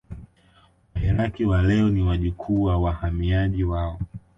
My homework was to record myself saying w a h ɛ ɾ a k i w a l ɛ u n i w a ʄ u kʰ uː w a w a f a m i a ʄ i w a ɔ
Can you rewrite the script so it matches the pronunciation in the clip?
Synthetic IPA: w a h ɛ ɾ a k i w a l ɛ ɔ n i w a ʄ u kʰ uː w a w a h a m i a ʄ i w a ɔ